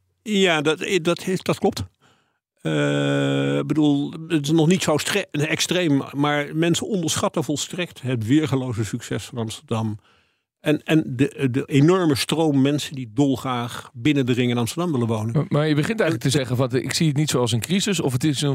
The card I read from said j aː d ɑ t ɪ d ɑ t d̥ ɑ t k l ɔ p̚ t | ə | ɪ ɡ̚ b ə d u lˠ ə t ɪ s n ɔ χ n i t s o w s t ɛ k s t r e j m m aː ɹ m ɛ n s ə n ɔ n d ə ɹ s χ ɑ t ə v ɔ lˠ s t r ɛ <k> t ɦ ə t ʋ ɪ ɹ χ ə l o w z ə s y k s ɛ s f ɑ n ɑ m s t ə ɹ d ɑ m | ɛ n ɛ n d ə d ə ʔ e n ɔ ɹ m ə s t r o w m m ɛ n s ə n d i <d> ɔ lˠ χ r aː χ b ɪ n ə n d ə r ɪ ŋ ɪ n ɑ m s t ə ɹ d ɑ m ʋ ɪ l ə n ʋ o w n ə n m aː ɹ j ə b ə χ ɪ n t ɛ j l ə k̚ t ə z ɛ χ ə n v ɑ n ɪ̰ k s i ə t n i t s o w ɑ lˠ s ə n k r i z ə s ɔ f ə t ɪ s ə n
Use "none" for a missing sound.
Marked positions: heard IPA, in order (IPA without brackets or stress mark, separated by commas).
k, d